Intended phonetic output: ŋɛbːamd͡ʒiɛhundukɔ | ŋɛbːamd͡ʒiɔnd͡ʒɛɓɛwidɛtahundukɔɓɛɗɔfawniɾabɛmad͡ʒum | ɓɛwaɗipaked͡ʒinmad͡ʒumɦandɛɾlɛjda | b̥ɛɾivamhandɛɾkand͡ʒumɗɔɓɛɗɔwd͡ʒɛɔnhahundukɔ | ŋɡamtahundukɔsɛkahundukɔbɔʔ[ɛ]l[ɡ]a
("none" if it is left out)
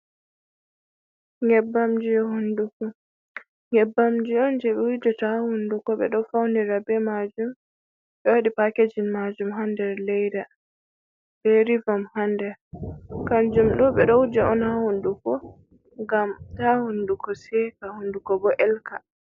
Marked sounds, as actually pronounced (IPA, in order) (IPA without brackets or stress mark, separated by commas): ɛ, k